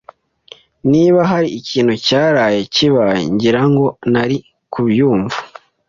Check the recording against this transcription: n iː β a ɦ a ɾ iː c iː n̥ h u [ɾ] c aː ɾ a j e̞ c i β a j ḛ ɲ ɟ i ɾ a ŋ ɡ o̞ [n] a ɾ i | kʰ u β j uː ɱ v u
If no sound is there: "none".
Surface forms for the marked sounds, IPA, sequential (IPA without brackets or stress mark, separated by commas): none, n